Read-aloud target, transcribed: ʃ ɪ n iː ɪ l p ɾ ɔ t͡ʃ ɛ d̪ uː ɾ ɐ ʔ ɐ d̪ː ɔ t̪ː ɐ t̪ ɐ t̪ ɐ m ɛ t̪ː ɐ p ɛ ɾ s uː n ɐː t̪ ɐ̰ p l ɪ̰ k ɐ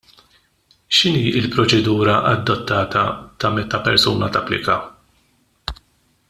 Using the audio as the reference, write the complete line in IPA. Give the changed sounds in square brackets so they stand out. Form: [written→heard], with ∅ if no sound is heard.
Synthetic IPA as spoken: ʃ ɪ n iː ɪ l p ɾ ɔ t͡ʃ ɛ d̪ uː ɾ ɐ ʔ ɐ d̪ː ɔ t̪ː [ɐ→ɐː] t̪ ɐ t̪ ɐ m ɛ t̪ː ɐ p ɛ ɾ s uː n [ɐː→ɐ] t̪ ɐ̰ p l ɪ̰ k ɐ